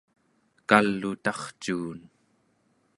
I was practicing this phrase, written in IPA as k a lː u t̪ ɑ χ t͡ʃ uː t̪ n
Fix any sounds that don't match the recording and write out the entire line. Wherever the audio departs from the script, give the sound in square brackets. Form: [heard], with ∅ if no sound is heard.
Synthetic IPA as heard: k a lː u t̪ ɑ χ t͡ʃ uː [∅] n